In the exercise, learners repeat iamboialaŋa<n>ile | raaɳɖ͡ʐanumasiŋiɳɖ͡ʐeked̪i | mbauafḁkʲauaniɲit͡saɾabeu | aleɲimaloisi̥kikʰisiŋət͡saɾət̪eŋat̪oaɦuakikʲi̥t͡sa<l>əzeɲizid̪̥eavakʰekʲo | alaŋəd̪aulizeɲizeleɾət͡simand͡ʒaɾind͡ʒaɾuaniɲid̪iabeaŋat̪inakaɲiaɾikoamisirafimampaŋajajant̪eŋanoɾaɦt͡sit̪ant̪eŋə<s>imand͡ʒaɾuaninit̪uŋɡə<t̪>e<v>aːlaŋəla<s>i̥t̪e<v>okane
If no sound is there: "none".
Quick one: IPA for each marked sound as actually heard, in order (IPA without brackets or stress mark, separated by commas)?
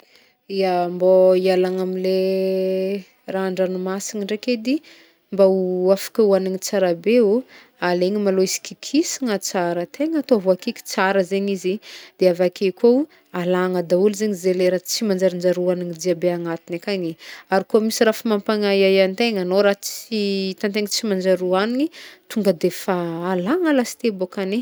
m, ɾ, t͡s, d̪, f, s, b